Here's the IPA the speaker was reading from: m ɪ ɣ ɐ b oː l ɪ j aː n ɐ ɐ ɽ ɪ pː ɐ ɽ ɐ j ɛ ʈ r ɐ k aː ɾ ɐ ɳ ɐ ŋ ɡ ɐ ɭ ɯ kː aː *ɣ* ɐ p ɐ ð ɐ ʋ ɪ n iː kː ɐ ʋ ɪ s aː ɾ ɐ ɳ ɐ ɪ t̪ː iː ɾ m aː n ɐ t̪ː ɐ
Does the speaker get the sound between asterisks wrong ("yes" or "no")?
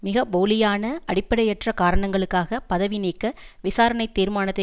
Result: no